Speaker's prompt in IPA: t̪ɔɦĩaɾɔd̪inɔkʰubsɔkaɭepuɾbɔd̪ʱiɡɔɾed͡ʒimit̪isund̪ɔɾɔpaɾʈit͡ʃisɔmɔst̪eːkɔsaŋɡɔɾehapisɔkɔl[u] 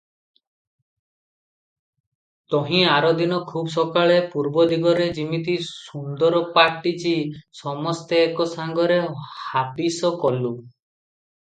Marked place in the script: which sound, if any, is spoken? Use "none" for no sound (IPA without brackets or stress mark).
u